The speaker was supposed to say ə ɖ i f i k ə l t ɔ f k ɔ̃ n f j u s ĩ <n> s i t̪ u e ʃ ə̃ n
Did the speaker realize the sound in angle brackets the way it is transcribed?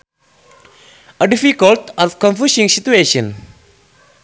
no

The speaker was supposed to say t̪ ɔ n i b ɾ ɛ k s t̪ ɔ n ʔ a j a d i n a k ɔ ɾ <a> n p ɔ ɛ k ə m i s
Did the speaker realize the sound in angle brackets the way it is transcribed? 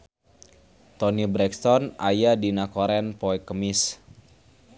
no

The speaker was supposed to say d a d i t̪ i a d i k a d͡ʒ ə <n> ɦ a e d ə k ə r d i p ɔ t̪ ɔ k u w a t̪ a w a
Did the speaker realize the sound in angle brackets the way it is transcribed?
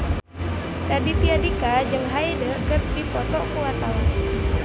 no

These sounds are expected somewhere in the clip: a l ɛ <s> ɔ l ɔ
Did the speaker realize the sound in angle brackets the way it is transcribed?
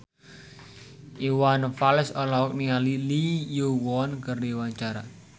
yes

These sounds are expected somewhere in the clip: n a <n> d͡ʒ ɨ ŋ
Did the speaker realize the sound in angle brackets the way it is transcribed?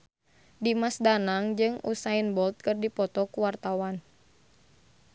no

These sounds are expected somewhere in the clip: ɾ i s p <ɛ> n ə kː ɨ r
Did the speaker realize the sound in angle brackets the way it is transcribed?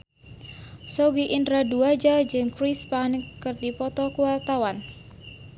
no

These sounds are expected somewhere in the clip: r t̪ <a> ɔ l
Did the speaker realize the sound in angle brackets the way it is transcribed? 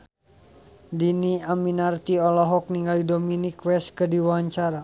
no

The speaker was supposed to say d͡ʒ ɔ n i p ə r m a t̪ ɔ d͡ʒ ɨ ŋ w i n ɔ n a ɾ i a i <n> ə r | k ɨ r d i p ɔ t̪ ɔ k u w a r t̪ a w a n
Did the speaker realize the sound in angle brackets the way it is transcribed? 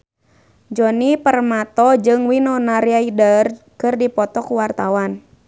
no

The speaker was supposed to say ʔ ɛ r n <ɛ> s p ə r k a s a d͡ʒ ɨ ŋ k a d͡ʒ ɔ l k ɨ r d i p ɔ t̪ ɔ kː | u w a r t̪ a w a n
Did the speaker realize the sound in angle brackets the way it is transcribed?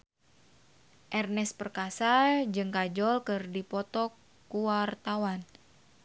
yes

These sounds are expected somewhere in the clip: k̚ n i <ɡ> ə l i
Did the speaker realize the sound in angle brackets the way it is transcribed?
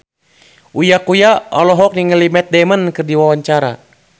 no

